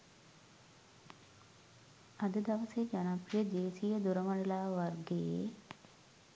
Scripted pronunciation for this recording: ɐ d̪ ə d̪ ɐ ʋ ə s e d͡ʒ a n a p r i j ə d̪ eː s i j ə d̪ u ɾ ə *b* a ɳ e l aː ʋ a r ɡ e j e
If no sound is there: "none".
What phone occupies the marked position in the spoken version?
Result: m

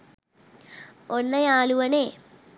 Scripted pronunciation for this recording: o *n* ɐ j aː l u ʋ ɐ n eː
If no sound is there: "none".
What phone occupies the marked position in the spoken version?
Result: nː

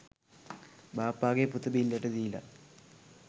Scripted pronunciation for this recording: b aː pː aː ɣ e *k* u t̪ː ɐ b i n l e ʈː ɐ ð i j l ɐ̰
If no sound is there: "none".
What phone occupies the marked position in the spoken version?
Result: p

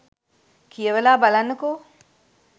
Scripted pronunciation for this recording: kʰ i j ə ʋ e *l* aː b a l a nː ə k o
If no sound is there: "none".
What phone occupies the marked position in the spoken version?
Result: l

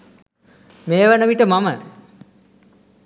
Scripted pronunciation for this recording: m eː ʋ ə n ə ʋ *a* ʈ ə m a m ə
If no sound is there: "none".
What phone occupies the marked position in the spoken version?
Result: i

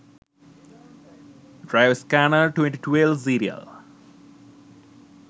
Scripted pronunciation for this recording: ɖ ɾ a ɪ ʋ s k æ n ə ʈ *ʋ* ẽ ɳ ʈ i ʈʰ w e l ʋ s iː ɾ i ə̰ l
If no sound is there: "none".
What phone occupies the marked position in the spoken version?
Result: w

